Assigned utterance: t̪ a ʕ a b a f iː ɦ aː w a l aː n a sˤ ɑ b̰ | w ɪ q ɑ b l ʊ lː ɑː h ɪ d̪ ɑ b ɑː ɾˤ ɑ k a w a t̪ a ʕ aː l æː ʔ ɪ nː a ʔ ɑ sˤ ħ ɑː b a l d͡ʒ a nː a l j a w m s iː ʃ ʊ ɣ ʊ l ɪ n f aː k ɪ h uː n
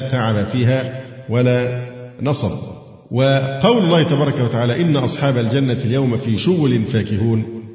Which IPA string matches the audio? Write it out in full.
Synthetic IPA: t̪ a ʕ a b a f iː ɦ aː w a l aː n ɑ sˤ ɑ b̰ | w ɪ q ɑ w l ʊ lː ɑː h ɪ t̪ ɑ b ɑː ɾˤ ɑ k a w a t̪ a ʕ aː l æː ʔ ɪ nː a ʔ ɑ sˤ ħ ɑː b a l d͡ʒ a nː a l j a w m f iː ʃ ʊ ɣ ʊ l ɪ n f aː k ɪ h uː n